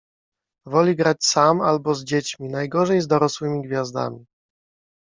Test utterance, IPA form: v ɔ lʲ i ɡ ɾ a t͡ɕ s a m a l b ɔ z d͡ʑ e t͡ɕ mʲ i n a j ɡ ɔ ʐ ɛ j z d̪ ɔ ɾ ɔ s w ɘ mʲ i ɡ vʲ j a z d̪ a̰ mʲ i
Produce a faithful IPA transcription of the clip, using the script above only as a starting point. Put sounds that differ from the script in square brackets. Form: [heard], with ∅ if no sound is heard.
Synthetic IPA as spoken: v ɔ lʲ i ɡ ɾ a t͡ɕ s a m a l b ɔ z d͡ʑ e t͡ɕ mʲ i n a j ɡ ɔ ʐ ɛ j z d̪ ɔ ɾ ɔ s w ɘ mʲ i ɡ vʲ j a z d̪ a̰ mʲ i